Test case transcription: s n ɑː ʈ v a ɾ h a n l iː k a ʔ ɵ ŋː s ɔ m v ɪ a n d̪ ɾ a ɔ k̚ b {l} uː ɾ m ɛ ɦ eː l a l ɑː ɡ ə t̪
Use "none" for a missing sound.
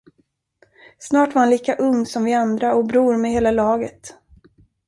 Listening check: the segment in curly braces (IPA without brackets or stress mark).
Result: ɾ